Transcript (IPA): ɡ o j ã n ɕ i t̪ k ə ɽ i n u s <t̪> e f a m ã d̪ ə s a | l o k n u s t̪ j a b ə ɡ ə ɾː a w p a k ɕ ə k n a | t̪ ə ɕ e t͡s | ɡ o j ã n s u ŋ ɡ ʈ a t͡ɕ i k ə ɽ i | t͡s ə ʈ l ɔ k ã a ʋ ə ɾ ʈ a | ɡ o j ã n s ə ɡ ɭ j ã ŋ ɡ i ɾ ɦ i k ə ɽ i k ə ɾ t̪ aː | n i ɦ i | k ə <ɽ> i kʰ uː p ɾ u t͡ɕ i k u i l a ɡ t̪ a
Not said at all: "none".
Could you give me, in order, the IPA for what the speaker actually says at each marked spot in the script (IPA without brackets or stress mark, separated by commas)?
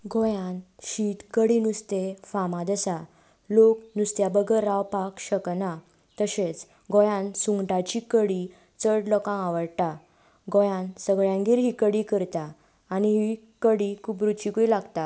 t̪, ɽ